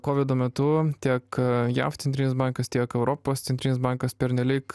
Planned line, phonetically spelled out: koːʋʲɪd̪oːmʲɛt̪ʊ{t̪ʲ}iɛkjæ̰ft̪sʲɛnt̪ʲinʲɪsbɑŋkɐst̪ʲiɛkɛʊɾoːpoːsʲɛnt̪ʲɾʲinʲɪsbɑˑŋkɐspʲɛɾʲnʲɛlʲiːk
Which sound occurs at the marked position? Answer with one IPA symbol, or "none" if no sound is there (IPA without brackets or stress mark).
t̪ʲ